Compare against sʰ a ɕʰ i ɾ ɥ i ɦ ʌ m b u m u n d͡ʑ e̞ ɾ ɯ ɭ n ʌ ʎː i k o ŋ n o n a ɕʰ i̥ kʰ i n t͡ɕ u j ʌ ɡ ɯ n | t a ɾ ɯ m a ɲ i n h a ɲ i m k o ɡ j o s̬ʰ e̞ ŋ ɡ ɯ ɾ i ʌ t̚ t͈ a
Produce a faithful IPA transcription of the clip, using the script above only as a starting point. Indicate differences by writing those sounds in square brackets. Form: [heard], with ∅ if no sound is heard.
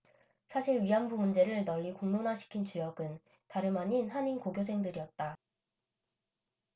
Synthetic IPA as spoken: sʰ a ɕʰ i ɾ ɥ i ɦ [a] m b u m u n d͡ʑ e̞ ɾ ɯ ɭ n ʌ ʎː i k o ŋ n o n a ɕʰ i̥ kʰ i n t͡ɕ u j ʌ ɡ ɯ n | t a ɾ ɯ m a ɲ i n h a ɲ i [n] k o ɡ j o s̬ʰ e̞ ŋ [d] ɯ ɾ i ʌ t̚ t͈ a

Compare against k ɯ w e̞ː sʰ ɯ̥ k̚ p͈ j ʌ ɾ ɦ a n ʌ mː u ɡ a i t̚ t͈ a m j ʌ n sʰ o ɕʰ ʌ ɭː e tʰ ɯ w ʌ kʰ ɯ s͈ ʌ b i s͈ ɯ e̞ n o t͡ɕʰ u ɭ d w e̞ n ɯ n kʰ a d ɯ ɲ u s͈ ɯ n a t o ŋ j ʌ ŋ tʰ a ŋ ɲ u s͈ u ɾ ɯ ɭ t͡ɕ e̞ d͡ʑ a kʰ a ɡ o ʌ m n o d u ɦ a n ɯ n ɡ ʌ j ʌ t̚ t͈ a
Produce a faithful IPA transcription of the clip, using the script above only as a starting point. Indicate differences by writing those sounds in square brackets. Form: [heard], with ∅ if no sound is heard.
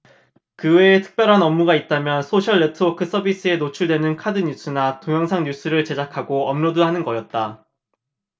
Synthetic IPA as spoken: k ɯ w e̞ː [tʰ] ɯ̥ k̚ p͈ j ʌ ɾ ɦ a n ʌ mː u ɡ a i t̚ t͈ a m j ʌ n sʰ o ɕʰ ʌ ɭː e tʰ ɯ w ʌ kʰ ɯ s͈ ʌ b i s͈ ɯ e̞ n o t͡ɕʰ u ɭ d w e̞ n ɯ n kʰ a d ɯ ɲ u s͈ ɯ n a t o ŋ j ʌ ŋ [sʰ] a ŋ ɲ u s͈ [ɯ] ɾ ɯ ɭ t͡ɕ e̞ d͡ʑ a kʰ a ɡ o ʌ m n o d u ɦ a n ɯ n ɡ ʌ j ʌ t̚ t͈ a

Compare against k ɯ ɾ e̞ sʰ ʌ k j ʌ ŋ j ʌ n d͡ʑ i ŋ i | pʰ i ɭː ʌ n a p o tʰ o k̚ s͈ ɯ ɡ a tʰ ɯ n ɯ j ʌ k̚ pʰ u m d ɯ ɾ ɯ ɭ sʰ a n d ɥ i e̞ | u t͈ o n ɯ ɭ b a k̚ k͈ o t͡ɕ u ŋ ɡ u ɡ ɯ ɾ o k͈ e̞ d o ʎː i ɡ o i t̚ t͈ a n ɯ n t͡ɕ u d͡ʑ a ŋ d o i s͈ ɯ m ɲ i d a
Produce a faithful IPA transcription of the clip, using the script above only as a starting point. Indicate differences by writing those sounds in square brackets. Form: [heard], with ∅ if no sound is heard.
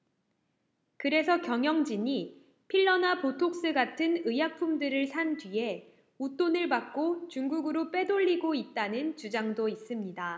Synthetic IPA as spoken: k ɯ ɾ e̞ sʰ ʌ k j ʌ ŋ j ʌ [ŋ] d͡ʑ i [ɲ] i | pʰ i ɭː ʌ n a p o tʰ o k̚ s͈ ɯ ɡ a tʰ ɯ n ɯ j [a] k̚ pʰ u m d ɯ ɾ ɯ ɭ sʰ a n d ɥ i e̞ | u t͈ o n ɯ ɭ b a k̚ k͈ o t͡ɕ u ŋ ɡ u ɡ ɯ ɾ o [p͈] e̞ d o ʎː i ɡ o i t̚ t͈ a n ɯ n t͡ɕ u d͡ʑ a ŋ d o i s͈ ɯ m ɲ i d a

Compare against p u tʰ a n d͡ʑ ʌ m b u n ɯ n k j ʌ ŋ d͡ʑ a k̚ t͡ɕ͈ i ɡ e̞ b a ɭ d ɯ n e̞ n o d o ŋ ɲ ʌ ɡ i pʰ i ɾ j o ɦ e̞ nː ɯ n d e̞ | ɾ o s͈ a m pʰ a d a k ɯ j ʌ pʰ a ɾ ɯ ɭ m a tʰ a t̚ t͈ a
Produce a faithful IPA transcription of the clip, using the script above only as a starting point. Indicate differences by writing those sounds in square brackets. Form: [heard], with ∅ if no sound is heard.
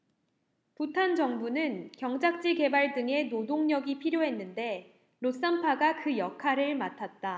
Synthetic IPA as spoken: p u tʰ a n d͡ʑ ʌ [ŋ] b u n ɯ n k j ʌ ŋ d͡ʑ a k̚ t͡ɕ͈ i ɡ e̞ b a ɭ d ɯ [ŋ] e̞ n o d o ŋ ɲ ʌ ɡ i pʰ i ɾ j o ɦ e̞ nː ɯ n d e̞ | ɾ o s͈ a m pʰ a [ɡ] a k ɯ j ʌ [kʰ] a ɾ ɯ ɭ m a tʰ a t̚ t͈ a

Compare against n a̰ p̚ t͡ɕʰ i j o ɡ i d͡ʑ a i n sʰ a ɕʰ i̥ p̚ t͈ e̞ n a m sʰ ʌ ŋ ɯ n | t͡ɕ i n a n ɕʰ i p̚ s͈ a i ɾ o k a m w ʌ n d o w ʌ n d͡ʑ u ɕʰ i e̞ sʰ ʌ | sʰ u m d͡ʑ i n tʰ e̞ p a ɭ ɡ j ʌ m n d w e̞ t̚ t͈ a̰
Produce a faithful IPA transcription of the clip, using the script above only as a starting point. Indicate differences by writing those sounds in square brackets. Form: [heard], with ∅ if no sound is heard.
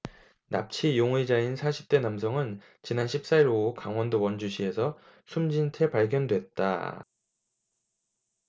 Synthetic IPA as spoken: n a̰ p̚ t͡ɕʰ i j o [ŋ] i d͡ʑ a i n sʰ a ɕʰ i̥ p̚ t͈ e̞ n a m sʰ ʌ ŋ ɯ n | t͡ɕ i n a n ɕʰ i p̚ s͈ a i ɾ o k a [ŋ] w ʌ n d o w ʌ n d͡ʑ u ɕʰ i e̞ sʰ ʌ | sʰ u m d͡ʑ i n tʰ e̞ p a ɭ ɡ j ʌ [∅] n d w e̞ t̚ t͈ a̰

